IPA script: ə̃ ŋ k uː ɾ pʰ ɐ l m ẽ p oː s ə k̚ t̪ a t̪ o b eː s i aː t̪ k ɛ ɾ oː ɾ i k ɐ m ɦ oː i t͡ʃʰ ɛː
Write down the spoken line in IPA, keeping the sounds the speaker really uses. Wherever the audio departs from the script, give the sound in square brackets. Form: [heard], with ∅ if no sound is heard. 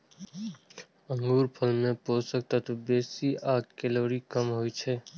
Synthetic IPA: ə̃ ŋ [ɡ] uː ɾ pʰ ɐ l m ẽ p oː s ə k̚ t̪ a t̪ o b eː s i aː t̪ k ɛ [l] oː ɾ i k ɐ m ɦ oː i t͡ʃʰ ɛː